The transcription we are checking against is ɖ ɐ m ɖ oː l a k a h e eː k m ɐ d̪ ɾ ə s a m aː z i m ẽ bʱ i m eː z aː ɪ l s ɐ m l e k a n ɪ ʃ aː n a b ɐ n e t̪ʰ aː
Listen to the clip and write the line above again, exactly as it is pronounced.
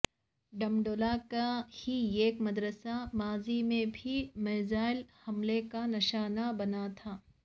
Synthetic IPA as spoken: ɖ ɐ m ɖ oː l a k a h i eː k m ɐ d̪ ɾ ə s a m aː z i m ẽ bʱ i m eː z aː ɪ l h ɐ m l e k a n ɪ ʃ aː n a b ɐ n a t̪ʰ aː